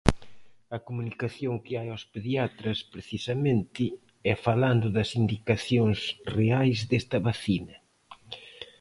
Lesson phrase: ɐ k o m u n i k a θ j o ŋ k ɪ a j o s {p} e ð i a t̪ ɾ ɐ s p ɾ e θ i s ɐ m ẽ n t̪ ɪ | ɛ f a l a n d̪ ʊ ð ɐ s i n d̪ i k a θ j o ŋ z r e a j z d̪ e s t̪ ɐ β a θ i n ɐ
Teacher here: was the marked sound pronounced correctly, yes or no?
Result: yes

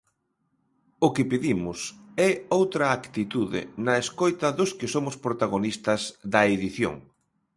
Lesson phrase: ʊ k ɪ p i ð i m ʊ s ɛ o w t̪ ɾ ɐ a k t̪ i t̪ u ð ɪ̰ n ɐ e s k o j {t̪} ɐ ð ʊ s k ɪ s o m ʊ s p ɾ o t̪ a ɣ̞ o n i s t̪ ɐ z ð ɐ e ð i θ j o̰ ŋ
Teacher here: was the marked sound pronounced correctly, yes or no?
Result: yes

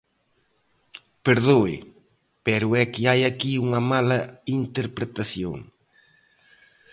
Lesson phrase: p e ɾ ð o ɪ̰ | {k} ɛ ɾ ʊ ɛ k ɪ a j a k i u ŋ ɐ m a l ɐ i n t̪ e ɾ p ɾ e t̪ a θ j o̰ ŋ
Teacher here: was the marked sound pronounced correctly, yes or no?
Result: no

